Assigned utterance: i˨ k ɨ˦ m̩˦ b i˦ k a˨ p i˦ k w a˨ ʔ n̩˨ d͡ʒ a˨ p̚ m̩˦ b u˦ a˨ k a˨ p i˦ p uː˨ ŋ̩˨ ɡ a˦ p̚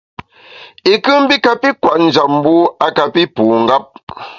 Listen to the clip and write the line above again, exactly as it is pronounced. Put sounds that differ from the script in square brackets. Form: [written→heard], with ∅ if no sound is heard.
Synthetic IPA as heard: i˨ k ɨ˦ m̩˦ b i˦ k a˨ p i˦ k w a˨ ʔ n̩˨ d͡ʒ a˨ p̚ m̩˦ b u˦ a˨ k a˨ p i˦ p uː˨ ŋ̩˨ ɡ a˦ p̚